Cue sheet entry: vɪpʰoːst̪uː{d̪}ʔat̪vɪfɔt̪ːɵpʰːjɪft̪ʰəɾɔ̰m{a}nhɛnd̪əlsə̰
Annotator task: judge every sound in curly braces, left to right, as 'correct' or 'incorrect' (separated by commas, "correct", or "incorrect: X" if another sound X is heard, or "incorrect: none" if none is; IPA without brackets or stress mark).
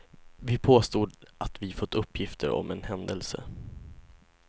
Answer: correct, incorrect: ɛ